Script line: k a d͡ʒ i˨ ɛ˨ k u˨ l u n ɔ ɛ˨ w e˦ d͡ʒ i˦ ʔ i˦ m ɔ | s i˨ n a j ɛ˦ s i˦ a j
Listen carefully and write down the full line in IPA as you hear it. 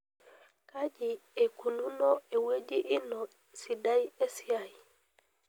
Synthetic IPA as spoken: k a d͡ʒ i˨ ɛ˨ k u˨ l u n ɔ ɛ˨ w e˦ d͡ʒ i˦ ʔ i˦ n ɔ | s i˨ d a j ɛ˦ s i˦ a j